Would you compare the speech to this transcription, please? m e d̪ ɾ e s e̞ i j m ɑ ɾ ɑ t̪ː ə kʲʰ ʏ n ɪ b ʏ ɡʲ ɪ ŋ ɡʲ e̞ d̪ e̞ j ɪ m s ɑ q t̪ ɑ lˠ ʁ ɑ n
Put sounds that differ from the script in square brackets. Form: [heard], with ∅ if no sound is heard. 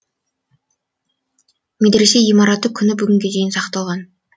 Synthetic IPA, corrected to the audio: m e d̪ ɾ e s e̞ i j m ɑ ɾ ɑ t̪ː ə kʲʰ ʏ n ɪ b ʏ ɡʲ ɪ ŋ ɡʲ e̞ d̪ e̞ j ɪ [n] s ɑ q t̪ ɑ lˠ ʁ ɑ n